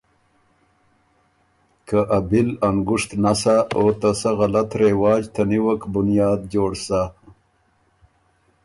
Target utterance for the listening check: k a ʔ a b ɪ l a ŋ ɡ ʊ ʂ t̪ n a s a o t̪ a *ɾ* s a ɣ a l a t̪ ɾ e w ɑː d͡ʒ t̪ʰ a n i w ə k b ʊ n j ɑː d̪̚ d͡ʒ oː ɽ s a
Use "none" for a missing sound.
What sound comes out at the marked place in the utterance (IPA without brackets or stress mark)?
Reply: none